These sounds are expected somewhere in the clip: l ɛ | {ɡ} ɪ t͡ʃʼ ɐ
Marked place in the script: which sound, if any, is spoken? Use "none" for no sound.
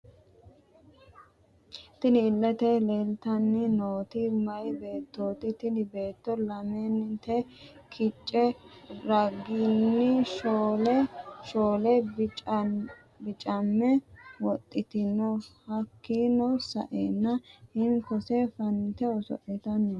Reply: b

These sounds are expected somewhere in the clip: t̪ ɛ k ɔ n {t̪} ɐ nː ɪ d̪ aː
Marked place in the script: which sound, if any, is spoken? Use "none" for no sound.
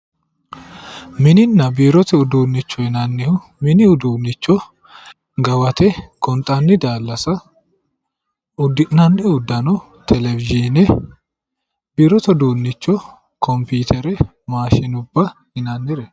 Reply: t̪ʼ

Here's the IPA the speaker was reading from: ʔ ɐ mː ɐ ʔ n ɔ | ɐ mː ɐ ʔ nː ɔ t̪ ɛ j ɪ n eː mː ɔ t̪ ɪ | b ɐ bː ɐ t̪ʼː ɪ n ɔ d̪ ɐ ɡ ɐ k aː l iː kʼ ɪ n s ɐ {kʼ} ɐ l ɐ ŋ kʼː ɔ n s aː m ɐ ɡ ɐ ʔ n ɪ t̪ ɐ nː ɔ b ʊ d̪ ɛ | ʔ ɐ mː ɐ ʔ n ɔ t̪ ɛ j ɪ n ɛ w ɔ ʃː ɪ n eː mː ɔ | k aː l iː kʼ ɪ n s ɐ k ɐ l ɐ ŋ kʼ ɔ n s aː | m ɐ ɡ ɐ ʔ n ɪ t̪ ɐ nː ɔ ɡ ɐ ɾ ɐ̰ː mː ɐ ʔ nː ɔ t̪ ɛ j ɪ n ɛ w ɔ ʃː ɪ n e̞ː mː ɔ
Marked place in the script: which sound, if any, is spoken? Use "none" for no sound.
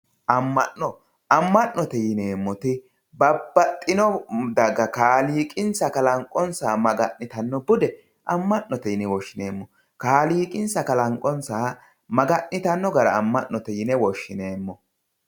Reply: k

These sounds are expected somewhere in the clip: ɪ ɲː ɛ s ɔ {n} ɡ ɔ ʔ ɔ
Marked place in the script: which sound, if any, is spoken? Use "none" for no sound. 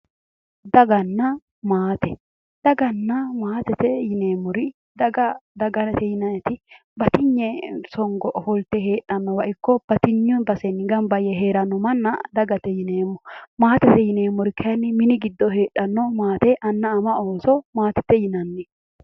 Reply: ŋ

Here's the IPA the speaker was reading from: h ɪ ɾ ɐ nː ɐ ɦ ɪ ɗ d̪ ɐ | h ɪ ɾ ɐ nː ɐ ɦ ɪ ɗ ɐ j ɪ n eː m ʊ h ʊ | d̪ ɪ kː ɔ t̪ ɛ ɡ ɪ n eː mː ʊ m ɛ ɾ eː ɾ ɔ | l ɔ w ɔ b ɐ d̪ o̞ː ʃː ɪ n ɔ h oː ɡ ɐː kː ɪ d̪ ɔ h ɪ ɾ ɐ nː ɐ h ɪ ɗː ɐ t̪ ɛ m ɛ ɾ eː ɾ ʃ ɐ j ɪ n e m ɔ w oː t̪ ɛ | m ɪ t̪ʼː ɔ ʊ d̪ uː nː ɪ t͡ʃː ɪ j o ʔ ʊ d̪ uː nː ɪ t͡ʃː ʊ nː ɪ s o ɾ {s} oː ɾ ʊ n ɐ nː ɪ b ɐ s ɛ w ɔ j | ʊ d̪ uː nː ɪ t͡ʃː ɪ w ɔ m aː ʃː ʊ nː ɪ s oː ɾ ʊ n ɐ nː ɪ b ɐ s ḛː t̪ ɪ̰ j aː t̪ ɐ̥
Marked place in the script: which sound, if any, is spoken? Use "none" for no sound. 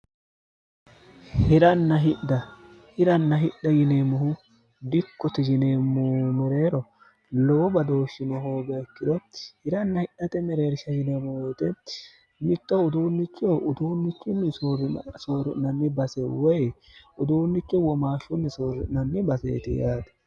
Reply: s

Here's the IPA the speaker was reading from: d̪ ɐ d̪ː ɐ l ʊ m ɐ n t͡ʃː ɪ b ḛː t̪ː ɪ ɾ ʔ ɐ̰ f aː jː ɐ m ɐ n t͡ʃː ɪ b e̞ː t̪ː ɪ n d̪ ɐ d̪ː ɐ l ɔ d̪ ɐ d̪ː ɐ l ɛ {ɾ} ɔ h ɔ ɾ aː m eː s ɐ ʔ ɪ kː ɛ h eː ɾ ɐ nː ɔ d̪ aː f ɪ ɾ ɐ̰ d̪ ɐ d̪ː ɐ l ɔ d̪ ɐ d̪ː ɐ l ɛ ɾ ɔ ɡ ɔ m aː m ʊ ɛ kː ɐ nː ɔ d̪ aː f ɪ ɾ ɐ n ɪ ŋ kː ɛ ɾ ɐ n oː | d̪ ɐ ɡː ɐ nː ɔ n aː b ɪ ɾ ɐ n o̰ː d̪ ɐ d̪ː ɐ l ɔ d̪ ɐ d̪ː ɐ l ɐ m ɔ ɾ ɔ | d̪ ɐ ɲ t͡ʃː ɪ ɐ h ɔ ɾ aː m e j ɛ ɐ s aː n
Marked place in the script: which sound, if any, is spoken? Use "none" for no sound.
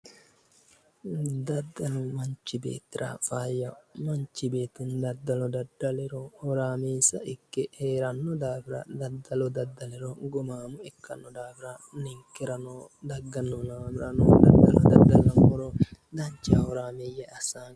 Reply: ɾ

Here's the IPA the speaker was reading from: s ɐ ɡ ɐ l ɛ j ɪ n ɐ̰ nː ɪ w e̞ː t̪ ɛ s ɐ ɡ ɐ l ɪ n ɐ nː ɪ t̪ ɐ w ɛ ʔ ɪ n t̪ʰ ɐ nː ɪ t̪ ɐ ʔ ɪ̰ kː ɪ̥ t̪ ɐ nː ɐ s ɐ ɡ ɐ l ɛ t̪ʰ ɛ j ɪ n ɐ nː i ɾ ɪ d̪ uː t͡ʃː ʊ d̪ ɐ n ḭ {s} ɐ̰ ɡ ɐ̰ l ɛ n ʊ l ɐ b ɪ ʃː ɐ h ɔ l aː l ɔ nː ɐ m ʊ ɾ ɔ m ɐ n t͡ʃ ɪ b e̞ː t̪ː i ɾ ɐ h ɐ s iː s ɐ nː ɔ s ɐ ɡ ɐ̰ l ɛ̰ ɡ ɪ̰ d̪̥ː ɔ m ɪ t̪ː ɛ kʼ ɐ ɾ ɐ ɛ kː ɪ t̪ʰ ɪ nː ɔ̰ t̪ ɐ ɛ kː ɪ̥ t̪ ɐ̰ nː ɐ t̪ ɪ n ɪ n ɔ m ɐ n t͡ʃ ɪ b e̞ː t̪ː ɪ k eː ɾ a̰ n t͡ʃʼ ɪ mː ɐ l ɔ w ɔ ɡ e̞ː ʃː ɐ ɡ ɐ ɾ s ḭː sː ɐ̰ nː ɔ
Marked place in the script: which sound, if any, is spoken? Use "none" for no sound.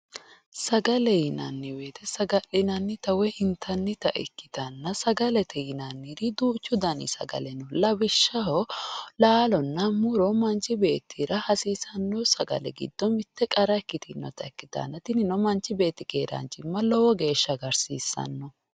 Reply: s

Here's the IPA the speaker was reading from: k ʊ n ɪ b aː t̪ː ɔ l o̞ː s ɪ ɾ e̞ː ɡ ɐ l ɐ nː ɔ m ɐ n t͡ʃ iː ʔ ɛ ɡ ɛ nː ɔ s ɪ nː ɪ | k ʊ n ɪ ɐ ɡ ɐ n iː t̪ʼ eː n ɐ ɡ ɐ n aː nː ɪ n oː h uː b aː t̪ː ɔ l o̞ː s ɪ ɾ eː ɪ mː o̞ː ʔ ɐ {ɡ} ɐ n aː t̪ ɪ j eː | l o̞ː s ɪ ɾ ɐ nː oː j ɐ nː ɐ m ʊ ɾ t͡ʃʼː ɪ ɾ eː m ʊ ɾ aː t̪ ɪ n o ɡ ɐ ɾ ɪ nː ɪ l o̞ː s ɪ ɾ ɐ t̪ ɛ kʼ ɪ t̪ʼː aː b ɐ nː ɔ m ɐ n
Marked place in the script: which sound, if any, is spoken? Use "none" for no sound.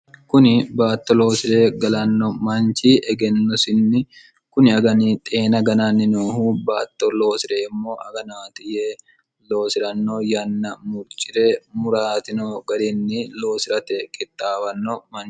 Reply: ɡ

